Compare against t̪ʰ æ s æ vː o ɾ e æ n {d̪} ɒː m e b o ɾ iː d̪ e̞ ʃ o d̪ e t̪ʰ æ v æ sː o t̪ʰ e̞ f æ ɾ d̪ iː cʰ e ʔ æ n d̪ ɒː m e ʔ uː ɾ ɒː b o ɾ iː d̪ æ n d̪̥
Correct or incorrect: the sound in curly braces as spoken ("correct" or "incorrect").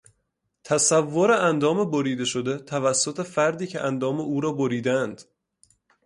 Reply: correct